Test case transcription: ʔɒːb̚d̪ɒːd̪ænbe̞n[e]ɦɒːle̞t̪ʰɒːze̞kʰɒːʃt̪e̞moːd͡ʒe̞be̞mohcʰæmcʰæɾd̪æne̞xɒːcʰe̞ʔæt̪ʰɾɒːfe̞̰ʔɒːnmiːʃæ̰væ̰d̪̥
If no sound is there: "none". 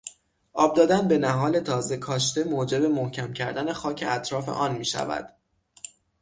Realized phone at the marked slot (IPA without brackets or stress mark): æ